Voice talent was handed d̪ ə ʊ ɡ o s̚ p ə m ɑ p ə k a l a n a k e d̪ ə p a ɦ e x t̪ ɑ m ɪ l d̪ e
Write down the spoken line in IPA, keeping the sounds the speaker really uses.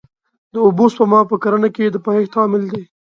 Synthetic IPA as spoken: d̪ ə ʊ b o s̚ p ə m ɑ p ə k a ɾ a n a k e d̪ ə p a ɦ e x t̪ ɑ m ɪ l d̪ e